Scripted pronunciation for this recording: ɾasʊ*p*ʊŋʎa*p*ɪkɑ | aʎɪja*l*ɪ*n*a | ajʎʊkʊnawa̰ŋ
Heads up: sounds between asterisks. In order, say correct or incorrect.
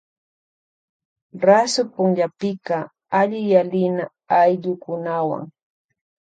correct, correct, correct, correct

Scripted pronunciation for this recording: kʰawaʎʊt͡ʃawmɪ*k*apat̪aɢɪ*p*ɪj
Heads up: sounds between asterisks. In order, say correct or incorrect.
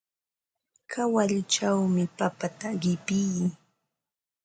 incorrect: p, correct

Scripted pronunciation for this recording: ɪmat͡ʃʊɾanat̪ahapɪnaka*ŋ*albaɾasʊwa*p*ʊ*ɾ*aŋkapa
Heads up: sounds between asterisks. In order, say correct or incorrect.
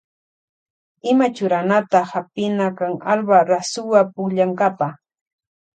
correct, correct, incorrect: ʎ

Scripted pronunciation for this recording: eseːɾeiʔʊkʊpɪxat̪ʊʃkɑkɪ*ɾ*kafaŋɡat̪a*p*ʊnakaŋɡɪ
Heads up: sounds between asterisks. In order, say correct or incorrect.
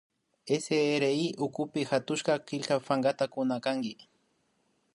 incorrect: ʎ, incorrect: k

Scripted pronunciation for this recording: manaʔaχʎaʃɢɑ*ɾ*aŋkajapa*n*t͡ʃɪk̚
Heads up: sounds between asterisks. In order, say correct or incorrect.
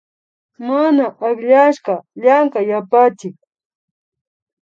incorrect: ʎ, incorrect: none

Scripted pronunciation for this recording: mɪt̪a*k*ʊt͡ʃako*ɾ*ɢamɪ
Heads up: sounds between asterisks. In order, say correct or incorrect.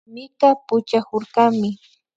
incorrect: p, correct

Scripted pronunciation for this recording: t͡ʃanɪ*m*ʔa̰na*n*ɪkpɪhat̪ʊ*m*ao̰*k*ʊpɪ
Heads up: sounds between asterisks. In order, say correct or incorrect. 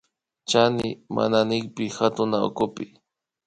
correct, correct, incorrect: n, correct

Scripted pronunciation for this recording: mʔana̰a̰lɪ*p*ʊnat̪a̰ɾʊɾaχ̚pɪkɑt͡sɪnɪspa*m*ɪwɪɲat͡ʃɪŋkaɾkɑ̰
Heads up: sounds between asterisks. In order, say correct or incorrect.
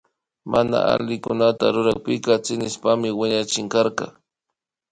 incorrect: k, correct

